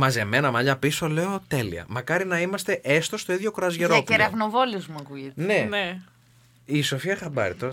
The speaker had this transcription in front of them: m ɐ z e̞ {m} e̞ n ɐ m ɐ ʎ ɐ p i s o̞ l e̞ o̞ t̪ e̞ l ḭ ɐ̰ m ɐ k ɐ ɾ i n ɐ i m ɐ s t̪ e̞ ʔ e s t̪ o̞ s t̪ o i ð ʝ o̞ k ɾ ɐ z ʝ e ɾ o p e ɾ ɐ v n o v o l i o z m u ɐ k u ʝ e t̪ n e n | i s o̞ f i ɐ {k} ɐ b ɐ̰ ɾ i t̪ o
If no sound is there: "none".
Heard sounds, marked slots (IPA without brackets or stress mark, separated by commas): m, x